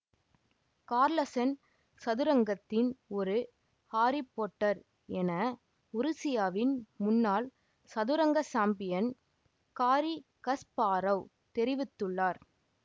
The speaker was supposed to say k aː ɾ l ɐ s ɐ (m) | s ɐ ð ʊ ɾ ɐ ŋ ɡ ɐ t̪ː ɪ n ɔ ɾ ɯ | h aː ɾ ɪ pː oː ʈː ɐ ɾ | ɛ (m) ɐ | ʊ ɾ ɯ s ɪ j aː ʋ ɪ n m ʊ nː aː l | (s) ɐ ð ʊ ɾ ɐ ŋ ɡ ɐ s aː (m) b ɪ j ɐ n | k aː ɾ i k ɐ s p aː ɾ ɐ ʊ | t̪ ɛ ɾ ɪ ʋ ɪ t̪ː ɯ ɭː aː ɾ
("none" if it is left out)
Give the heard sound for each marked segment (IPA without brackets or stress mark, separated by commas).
n, n, s, m